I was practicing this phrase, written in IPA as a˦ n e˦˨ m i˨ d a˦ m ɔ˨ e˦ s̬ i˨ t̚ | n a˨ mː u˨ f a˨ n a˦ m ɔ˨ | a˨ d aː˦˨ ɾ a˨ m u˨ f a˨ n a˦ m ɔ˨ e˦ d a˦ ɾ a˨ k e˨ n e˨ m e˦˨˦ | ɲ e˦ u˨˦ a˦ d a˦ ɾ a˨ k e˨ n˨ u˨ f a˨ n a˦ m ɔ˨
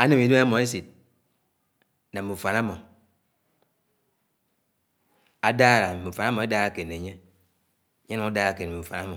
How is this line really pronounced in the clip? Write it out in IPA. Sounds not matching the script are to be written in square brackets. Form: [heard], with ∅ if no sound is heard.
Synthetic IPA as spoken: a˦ n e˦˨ m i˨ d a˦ m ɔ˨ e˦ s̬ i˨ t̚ | n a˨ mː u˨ f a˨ n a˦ m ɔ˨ | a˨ d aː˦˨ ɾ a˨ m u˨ f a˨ n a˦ m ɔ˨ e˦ d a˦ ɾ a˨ k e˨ n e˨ [ɲ] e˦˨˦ | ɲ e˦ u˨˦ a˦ d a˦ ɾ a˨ k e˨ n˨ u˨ f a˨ n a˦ m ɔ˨

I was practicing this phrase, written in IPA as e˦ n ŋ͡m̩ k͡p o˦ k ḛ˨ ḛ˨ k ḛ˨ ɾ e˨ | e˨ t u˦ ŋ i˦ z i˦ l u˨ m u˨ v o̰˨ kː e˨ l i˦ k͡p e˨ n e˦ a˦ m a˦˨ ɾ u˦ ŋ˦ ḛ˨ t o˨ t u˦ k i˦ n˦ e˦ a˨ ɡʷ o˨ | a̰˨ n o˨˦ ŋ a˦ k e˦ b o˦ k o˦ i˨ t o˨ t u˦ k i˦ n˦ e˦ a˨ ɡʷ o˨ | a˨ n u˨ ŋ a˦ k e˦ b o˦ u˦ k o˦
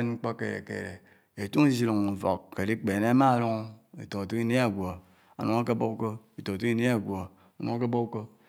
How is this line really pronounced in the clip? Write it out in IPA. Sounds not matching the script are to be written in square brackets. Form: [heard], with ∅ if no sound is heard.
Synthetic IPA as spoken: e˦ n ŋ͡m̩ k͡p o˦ k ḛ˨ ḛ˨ k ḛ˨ ɾ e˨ | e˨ t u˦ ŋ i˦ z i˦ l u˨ [ŋ] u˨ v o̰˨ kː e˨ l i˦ k͡p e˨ n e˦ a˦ m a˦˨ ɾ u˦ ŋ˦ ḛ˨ t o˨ t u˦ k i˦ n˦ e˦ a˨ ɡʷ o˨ | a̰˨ n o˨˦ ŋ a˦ k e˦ b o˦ k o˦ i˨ t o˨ t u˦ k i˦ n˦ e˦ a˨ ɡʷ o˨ | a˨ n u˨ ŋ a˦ k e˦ b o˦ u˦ k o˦

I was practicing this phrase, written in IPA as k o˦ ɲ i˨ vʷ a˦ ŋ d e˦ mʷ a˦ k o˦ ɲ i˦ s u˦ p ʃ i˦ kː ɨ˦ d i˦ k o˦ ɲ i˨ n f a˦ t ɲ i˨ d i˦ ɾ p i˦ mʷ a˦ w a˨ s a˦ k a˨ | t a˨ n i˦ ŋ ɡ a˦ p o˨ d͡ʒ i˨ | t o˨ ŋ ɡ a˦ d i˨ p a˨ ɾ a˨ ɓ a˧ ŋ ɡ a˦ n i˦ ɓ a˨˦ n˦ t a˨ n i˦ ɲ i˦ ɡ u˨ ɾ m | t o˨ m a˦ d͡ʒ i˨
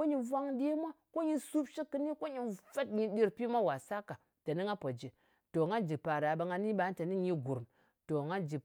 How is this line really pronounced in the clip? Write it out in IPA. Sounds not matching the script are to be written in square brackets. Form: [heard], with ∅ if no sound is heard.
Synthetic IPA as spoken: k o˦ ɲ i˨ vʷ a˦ ŋ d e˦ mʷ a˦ k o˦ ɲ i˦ s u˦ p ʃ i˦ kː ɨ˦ [n] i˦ k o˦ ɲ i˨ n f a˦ t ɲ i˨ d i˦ ɾ p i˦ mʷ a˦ w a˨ s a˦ k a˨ | t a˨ n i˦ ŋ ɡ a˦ p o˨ d͡ʒ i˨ | t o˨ ŋ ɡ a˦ [d͡ʒ] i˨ p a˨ ɾ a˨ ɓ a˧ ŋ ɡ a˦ n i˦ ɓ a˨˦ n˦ t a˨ n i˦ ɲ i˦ ɡ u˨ ɾ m | t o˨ [ŋ] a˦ d͡ʒ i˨

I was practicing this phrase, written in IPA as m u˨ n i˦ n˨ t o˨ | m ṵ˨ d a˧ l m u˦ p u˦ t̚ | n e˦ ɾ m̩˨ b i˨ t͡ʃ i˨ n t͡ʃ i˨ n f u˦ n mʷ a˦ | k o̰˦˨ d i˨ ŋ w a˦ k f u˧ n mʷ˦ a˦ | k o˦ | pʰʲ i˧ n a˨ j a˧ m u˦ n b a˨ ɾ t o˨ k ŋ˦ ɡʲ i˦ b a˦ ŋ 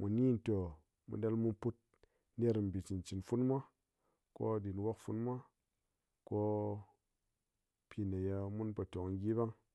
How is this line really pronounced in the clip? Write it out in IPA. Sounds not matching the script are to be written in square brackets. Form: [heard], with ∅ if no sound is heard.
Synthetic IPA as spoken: m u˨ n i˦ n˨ t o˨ | m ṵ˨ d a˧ l m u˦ p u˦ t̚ | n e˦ ɾ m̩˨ b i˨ t͡ʃ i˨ n t͡ʃ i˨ n f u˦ n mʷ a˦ | k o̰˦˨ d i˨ [n] w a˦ k f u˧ n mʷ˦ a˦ | k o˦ | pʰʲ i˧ n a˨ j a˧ m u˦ n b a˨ [∅] t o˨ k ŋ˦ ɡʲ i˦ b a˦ ŋ

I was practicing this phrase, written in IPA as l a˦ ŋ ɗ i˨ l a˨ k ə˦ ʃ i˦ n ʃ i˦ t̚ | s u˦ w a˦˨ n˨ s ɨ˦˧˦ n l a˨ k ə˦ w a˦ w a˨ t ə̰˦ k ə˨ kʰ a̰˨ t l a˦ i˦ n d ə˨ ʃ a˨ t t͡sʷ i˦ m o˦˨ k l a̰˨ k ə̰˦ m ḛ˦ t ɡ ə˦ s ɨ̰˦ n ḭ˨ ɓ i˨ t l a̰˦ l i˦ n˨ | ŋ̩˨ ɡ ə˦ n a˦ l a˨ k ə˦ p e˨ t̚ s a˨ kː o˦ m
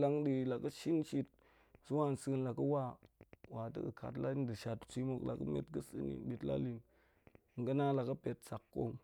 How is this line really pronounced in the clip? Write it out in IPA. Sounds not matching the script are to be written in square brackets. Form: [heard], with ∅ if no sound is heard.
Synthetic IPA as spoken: l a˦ ŋ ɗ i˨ l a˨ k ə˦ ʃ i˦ n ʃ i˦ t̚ | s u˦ w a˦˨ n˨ s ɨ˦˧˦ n l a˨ k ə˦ w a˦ w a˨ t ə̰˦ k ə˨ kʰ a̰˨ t l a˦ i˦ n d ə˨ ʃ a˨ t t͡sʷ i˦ m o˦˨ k l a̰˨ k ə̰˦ m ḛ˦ t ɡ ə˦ s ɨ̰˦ n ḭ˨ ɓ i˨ t l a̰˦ l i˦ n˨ | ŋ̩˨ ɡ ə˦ n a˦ l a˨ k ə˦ p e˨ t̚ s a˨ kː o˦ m

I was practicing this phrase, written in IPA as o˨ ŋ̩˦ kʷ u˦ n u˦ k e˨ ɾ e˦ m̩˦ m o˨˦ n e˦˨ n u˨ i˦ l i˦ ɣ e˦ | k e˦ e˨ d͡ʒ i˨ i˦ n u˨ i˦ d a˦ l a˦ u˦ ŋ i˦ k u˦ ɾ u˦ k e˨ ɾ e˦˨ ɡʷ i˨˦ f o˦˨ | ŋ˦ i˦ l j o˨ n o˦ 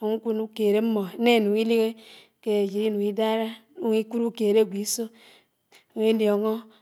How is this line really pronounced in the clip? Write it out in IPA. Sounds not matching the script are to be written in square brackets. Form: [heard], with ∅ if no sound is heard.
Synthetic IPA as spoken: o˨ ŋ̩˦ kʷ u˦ n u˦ k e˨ ɾ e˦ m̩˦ m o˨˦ n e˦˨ n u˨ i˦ l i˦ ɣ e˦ | k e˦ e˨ d͡ʒ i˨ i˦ n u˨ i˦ d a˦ [ɾ] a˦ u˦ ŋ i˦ k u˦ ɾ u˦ k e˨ ɾ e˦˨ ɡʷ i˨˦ [s] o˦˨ | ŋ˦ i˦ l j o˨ [ŋ] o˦

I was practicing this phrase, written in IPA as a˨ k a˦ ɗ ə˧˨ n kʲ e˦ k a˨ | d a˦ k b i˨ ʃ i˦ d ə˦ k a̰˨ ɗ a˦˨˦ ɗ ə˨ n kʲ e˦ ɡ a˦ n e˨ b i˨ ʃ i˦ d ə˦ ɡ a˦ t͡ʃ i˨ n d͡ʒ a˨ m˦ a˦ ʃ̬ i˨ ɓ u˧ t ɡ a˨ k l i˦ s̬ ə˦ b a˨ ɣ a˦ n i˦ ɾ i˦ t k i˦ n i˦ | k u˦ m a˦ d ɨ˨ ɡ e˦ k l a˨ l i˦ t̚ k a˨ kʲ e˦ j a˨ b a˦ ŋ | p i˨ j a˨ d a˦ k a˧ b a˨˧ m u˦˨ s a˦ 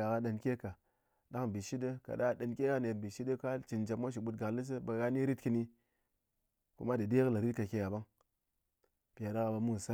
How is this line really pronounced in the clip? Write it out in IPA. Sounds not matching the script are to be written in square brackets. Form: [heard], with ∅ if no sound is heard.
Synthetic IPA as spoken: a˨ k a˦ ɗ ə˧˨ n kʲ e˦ k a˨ | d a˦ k b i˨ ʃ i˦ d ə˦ k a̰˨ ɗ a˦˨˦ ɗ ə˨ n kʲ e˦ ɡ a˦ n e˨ b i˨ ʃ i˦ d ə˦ [k] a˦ t͡ʃ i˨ n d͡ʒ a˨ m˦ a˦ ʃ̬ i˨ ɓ u˧ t ɡ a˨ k l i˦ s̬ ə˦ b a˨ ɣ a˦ n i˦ ɾ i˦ t k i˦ n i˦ | k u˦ m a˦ d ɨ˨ [d] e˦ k l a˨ [ɾ] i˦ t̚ k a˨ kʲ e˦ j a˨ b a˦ ŋ | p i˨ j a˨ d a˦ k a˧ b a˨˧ m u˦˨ s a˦

